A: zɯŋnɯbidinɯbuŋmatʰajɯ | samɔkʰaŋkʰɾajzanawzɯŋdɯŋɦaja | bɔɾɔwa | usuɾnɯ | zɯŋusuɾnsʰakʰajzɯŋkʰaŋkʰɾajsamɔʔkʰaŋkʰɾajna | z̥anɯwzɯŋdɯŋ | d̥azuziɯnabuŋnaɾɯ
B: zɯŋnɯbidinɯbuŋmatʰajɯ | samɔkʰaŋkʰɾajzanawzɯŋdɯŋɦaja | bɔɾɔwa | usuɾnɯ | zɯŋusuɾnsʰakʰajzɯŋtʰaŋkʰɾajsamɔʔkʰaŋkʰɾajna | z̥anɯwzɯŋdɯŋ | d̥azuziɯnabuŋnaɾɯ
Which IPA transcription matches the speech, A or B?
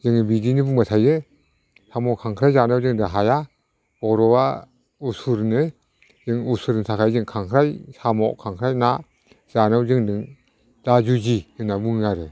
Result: A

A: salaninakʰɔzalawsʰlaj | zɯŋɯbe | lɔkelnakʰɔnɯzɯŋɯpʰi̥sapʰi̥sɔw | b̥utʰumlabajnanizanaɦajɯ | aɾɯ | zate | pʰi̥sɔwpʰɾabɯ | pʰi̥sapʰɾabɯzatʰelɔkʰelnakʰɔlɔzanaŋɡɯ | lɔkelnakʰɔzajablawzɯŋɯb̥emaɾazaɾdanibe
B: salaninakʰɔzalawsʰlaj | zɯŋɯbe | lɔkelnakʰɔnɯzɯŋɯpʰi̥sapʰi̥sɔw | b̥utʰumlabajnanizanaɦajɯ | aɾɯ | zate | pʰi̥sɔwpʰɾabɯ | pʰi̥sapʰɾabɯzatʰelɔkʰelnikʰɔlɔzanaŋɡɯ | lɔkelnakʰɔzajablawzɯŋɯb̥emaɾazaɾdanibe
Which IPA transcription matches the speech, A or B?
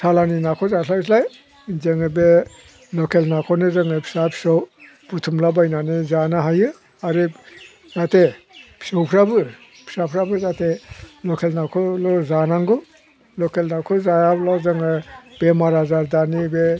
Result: A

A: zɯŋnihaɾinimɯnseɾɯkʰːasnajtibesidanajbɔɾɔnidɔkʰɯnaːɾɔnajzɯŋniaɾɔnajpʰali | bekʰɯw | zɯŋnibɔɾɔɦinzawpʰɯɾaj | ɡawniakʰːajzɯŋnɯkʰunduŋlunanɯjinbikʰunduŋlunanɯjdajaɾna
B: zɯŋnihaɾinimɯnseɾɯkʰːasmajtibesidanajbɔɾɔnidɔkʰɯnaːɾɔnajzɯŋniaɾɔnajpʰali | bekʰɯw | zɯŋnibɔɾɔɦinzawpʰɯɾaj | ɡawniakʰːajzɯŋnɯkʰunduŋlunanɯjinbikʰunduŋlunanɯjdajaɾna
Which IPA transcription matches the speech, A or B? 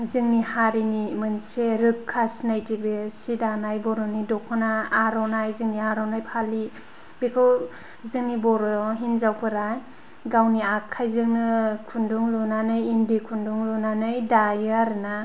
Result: A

